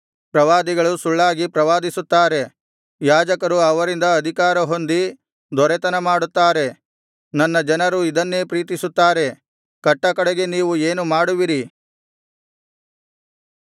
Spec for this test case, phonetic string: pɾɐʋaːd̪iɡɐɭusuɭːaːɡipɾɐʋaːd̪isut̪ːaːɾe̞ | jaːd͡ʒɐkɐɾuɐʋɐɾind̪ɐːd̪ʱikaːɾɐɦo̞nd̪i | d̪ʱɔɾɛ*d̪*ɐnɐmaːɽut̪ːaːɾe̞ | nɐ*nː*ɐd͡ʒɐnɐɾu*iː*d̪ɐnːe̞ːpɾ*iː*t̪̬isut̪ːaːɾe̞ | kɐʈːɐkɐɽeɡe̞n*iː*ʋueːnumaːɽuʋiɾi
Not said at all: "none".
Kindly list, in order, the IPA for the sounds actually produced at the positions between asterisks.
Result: t̪, nː, i, iː, iː

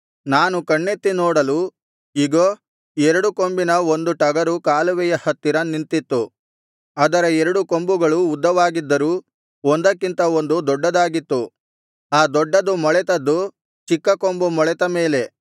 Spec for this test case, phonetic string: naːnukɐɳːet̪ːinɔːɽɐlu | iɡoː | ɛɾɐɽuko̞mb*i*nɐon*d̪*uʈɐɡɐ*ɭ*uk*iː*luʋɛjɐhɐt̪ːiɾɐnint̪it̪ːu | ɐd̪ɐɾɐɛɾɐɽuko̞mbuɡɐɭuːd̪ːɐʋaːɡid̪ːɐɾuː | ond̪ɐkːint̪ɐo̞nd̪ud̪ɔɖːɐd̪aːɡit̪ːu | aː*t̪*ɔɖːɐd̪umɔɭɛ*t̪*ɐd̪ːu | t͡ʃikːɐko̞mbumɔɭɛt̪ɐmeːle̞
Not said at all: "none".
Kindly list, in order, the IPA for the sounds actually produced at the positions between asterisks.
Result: i, d̪, ɾ, aː, d̪, t̪

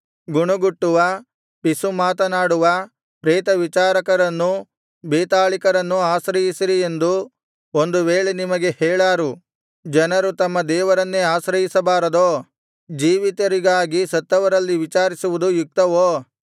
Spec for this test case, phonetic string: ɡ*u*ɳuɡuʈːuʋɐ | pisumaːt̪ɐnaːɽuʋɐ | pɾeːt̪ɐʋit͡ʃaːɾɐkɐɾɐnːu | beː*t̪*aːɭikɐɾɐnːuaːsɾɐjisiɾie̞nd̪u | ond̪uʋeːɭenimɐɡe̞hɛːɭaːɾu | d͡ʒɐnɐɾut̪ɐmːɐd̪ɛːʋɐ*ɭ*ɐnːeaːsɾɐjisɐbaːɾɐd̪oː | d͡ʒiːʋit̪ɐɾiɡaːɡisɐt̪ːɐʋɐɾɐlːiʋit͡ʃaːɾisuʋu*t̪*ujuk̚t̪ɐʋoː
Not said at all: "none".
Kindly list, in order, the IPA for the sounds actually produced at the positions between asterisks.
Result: u, t̪, ɾ, d̪

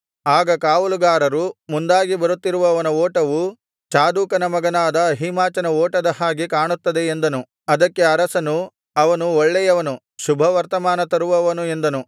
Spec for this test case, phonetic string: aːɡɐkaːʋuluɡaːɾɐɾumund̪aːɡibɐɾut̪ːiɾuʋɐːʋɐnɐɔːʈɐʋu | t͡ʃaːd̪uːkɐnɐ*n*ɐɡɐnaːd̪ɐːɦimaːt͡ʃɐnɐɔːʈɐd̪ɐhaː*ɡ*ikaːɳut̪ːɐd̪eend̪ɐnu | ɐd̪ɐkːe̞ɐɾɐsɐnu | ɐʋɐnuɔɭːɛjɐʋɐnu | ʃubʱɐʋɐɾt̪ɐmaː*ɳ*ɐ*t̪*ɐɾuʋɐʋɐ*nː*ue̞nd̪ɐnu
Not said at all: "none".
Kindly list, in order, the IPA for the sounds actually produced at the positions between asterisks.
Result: m, ɡ, n, t̪, n

